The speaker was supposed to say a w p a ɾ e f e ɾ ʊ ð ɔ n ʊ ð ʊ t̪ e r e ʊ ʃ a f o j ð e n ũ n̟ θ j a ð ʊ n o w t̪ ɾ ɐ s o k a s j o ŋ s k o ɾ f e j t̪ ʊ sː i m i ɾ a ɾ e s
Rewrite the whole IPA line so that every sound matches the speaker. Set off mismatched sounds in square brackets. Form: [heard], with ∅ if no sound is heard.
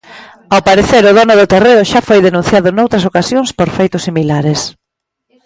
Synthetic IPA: a w p a ɾ e [θ] e ɾ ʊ ð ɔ n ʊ ð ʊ t̪ e r e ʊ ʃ a f o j ð e n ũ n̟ θ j a ð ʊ n o w t̪ ɾ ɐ s o k a s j o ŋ s [p] o ɾ f e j t̪ ʊ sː i m i [l] a ɾ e s